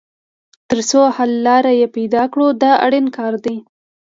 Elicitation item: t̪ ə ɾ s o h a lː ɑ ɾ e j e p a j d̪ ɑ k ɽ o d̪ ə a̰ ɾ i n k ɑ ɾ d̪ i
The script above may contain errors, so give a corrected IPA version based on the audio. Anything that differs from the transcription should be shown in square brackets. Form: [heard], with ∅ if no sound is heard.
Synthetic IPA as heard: t̪ ə ɾ s o h a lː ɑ ɾ [a] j e p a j d̪ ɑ k ɽ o d̪ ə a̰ [ɽ] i n k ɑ ɾ d̪ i

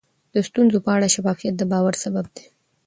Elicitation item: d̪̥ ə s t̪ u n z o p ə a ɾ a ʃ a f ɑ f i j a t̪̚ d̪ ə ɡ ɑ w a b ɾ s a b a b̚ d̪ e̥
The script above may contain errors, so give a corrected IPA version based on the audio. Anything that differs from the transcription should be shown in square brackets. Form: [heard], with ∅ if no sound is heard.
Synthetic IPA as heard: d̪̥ ə s t̪ u n z o p ə a [ɽ] a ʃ a f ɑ f i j a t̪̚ d̪ ə [b] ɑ w a [∅] ɾ s a b a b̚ d̪ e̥

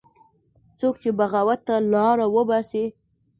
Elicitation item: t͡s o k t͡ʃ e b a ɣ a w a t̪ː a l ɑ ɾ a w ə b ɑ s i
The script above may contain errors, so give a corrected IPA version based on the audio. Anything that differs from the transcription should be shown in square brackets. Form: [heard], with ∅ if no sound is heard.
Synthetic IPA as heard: t͡s o k t͡ʃ e b a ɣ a w a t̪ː a l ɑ ɾ a w ə b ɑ s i

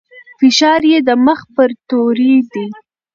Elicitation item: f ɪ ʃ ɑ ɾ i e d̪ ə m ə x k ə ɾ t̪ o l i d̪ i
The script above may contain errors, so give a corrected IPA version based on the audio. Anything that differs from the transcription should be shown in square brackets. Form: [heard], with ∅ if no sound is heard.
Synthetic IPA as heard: f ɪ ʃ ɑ ɾ [j] e d̪ ə m ə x [p] ə ɾ t̪ o [ɾ] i d̪ i

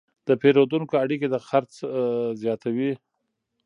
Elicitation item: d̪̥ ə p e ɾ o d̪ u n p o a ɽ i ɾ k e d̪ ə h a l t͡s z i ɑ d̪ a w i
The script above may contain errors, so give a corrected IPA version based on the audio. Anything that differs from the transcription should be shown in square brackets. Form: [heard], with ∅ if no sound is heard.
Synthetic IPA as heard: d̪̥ ə p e ɾ o d̪ u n [k] o a ɽ i [∅] k e d̪ ə [x] a [ɾ] t͡s z [j] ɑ [t̪] a w i

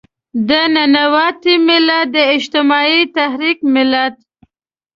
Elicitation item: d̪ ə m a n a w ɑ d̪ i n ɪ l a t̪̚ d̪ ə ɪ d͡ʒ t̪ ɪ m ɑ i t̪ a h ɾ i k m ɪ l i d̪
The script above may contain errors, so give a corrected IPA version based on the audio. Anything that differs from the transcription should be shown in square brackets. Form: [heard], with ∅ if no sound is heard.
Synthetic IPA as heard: d̪ ə [n] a n a w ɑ [t̪] i [m] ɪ l a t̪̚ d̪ ə ɪ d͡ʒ t̪ ɪ m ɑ i t̪ a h ɾ i k m ɪ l [a] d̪

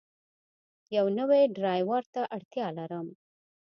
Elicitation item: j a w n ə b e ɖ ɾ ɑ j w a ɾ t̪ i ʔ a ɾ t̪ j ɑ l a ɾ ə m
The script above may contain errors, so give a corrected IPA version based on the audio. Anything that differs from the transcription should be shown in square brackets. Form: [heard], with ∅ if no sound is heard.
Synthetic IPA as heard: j a w n ə [w] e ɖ ɾ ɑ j w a ɾ t̪ [a] ʔ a [ɽ] t̪ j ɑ l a ɾ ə m

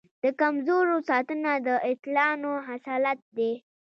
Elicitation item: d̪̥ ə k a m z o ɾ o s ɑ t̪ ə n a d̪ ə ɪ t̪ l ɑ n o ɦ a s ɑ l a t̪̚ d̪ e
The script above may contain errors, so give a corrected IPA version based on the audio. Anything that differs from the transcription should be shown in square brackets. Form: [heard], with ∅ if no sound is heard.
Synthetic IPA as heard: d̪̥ ə k a m z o ɾ o s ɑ t̪ ə n a d̪ ə ɪ t̪ l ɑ n o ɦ a s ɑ l a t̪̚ d̪ e

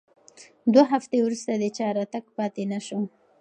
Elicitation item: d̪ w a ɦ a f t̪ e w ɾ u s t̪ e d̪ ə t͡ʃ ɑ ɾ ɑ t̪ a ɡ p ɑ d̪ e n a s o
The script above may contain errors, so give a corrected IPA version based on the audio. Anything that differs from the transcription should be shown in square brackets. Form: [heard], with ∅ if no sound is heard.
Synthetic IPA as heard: d̪ w a ɦ a f t̪ e w ɾ u s t̪ [a] d̪ ə t͡ʃ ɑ ɾ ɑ t̪ a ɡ p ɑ [t̪] e n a [ʃ] o

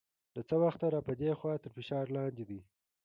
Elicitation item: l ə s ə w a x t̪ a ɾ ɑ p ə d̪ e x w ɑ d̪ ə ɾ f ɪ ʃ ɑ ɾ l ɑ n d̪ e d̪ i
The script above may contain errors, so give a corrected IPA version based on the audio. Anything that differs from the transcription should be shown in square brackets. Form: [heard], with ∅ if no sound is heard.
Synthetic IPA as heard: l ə [t͡s] ə w a x t̪ a ɾ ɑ p ə d̪ e x w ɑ [t̪] ə ɾ f ɪ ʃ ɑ ɾ l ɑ n d̪ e d̪ i

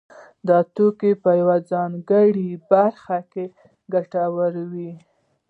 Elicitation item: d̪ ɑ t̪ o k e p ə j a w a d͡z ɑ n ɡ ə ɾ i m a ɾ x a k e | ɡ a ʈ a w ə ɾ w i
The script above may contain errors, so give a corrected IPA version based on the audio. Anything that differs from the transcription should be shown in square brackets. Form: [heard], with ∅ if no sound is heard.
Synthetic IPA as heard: d̪ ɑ t̪ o k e p ə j a w a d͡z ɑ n ɡ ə [ɽ] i [b] a ɾ x a k e | ɡ a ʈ a w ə ɾ w i

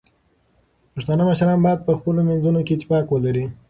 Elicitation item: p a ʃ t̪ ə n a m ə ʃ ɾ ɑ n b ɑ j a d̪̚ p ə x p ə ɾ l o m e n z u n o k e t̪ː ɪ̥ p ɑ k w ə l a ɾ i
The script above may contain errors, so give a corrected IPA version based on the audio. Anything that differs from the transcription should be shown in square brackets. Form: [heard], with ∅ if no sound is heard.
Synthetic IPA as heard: p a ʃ t̪ [ɑ] n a m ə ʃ ɾ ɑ n b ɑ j a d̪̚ p ə x p ə [∅] l o m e n z u n o k e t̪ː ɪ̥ p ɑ k w ə l a ɾ i

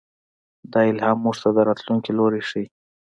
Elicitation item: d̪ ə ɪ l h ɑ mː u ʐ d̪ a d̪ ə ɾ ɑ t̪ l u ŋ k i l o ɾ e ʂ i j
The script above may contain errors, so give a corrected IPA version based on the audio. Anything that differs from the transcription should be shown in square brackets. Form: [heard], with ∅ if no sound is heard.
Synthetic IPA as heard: d̪ [ɑ] ɪ l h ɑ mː u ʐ [t̪] a d̪ ə ɾ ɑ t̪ l u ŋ k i l o ɾ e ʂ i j

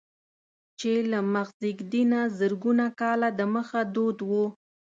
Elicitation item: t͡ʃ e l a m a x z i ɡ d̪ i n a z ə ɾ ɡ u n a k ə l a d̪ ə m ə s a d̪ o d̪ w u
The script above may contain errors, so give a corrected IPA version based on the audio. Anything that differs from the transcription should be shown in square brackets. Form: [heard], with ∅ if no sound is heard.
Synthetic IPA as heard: t͡ʃ e l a m a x z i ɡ d̪ i n a z ə ɾ ɡ u n a k [ɑ] l a d̪ ə m ə [x] a d̪ o d̪ w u

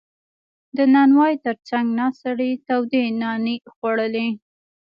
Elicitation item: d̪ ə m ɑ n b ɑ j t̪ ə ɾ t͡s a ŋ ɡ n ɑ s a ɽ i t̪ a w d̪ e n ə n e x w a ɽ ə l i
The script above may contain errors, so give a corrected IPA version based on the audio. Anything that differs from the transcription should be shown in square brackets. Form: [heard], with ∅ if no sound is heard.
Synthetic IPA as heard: d̪ ə [n] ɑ n [w] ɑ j t̪ ə ɾ t͡s a ŋ ɡ n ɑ s a ɽ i t̪ a w d̪ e n [ɑ] n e x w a ɽ ə l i

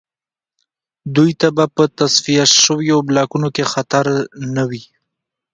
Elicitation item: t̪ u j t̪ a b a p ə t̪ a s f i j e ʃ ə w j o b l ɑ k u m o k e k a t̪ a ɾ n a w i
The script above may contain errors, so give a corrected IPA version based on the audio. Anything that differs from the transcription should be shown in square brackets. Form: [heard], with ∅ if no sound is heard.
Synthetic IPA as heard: [d̪] u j t̪ a b a p ə t̪ a s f i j [a] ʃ ə w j o b l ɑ k u [n] o k e [x] a t̪ a ɾ n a w i

